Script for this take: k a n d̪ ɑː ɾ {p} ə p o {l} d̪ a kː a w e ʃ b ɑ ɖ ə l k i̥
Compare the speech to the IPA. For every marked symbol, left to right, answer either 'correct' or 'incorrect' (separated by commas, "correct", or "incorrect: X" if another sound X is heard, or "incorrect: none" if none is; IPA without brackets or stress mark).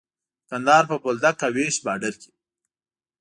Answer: correct, correct